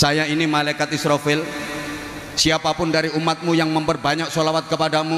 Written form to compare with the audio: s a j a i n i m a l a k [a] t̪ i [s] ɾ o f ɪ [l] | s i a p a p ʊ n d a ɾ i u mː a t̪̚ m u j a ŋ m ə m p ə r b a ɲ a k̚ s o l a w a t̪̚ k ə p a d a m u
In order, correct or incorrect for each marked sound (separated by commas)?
correct, correct, correct